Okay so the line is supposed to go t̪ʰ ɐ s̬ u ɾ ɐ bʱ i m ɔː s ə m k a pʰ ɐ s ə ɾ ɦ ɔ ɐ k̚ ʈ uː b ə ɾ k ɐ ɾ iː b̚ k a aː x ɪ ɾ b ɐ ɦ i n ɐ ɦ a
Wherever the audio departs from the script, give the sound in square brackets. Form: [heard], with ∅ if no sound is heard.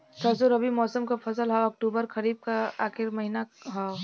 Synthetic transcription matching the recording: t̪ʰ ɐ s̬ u ɾ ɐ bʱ i m ɔː s ə m k a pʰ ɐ s ə [l] ɦ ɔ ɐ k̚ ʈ uː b ə ɾ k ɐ ɾ iː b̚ k a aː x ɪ ɾ [m] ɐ ɦ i n [a] ɦ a